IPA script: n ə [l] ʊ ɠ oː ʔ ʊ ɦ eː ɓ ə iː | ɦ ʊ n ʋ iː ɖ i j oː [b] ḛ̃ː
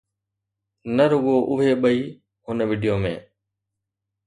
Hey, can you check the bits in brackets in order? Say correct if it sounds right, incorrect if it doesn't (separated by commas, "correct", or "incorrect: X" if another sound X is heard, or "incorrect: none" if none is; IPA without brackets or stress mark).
incorrect: ɾ, incorrect: m